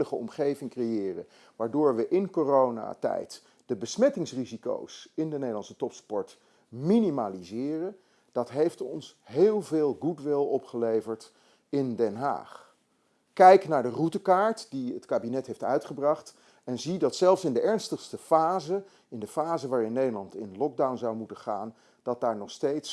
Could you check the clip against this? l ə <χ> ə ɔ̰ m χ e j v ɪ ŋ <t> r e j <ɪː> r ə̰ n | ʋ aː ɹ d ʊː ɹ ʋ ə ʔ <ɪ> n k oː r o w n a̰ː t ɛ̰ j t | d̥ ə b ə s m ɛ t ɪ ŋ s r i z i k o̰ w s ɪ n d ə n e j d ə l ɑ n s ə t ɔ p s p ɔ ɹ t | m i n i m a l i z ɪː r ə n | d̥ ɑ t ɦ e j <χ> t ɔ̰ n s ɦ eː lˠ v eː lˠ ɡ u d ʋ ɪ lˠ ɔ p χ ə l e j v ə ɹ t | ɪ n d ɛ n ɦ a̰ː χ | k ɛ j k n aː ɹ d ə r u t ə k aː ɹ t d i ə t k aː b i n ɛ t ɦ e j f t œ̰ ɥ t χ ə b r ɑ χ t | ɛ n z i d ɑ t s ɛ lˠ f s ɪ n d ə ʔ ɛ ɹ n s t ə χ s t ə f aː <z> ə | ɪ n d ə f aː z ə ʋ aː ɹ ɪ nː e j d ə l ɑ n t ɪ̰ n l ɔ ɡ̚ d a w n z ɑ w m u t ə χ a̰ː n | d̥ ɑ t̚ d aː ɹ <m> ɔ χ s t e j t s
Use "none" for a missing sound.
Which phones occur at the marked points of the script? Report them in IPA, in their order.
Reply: χ, k, ɪː, ɪ, f, z, n

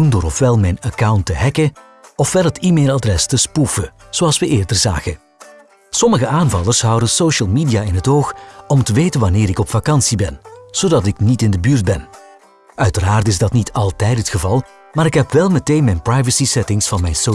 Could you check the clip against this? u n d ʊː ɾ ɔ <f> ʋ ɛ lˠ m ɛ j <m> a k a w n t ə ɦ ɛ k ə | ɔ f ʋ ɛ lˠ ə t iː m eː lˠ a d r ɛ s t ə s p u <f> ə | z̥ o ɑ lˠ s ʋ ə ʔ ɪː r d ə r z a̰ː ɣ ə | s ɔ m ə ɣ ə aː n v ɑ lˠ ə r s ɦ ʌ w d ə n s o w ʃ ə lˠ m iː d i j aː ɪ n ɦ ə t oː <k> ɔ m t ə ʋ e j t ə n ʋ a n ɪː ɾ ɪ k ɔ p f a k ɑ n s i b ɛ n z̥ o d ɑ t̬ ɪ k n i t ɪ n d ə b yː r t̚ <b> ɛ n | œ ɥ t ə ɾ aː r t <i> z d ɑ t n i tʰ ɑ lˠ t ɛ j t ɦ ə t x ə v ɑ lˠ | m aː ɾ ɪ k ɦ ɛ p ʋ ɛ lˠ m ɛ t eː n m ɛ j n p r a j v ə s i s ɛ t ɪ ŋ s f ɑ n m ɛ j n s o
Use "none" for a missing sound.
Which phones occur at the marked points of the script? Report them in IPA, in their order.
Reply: f, n, f, x, b, ɪ

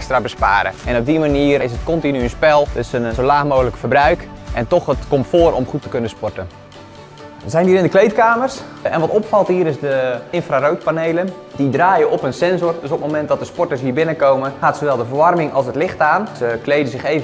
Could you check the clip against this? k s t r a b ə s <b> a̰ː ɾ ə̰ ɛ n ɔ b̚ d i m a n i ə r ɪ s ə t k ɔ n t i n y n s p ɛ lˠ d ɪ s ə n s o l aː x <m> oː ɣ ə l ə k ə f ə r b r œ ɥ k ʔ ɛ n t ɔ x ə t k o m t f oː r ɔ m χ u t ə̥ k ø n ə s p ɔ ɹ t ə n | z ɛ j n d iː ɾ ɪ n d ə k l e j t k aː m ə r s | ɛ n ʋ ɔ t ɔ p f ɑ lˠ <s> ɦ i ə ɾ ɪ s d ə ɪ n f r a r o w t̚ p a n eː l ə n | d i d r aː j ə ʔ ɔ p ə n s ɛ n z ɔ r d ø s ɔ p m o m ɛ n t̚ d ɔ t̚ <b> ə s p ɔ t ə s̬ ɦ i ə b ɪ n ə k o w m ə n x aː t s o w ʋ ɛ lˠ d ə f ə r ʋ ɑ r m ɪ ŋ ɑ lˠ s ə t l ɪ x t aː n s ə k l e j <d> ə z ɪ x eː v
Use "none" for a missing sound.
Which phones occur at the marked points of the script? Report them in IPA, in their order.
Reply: p, m, t, d, d

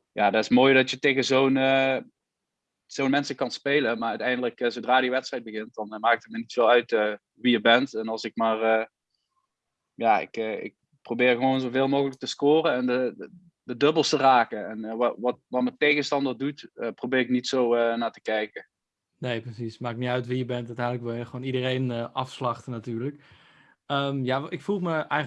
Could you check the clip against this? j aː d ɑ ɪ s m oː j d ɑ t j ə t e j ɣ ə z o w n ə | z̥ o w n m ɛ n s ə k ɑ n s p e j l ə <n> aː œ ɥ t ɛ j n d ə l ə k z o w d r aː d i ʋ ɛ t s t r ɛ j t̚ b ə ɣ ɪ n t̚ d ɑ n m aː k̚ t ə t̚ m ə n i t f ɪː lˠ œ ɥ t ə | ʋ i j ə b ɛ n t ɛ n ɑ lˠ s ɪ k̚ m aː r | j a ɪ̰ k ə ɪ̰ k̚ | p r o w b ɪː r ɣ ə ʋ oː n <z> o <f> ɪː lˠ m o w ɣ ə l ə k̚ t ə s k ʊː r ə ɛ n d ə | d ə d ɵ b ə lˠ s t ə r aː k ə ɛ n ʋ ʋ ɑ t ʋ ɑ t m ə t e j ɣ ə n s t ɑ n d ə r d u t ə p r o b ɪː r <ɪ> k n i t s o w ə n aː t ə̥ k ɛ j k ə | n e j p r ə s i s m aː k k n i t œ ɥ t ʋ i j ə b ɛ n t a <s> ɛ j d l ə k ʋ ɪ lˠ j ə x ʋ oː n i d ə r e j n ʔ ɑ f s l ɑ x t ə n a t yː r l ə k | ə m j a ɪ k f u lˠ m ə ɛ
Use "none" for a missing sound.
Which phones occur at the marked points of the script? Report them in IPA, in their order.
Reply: m, z, v, ɪ, t

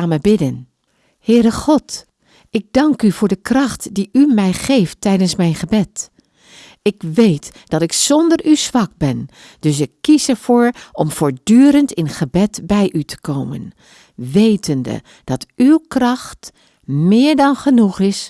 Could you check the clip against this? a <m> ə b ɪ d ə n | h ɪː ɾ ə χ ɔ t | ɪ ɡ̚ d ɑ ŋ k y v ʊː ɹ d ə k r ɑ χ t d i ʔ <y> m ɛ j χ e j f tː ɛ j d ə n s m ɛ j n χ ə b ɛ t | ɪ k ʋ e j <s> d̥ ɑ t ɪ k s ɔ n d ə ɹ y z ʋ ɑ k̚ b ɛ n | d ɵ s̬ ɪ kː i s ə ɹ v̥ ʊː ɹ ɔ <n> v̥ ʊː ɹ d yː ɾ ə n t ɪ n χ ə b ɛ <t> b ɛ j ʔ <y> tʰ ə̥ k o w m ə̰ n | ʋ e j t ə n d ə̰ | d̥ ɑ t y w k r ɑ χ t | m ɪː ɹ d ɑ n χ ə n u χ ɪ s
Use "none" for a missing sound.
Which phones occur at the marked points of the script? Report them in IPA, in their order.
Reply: m, y, t, m, t, y

